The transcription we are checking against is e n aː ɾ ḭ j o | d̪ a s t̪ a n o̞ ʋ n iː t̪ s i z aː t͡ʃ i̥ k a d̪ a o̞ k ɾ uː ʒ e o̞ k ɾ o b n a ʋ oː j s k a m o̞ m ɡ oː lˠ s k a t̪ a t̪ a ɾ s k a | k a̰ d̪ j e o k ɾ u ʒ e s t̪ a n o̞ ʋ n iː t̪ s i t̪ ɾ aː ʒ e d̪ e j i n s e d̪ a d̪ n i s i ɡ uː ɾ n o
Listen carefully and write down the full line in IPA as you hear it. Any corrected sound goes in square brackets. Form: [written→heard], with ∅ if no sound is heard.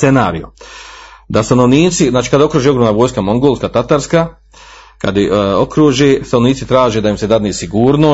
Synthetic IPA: e n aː ɾ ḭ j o | d̪ a s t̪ a n o̞ ʋ n iː t̪ s i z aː t͡ʃ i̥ k a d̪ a o̞ k ɾ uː ʒ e o̞ [k→ɡ] ɾ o [b→m] n a ʋ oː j s k a m o̞ [m→ŋ] ɡ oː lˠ s k a t̪ a t̪ a ɾ s k a | k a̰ d̪ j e o k ɾ u ʒ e s t̪ a n o̞ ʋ n iː t̪ s i t̪ ɾ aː ʒ e d̪ [e→a] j i [n→m] s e d̪ a d̪ n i s i ɡ uː ɾ n o